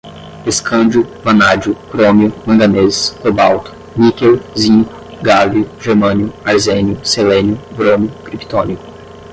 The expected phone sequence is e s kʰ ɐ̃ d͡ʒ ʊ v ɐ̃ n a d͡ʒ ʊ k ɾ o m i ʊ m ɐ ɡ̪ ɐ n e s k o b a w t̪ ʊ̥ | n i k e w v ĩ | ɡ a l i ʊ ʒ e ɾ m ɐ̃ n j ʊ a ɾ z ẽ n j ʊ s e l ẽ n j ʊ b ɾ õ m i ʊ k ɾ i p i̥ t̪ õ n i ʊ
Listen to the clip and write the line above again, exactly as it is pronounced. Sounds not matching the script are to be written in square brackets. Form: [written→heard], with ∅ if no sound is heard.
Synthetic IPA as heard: e s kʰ ɐ̃ d͡ʒ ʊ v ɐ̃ n a d͡ʒ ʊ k ɾ o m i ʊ m [ɐ→ɐ̃] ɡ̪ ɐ n e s k o b a w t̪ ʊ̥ | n i k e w [v→z] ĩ | ɡ a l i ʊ ʒ e ɾ m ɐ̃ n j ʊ a ɾ z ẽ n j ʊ s e l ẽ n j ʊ b ɾ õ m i ʊ k ɾ i p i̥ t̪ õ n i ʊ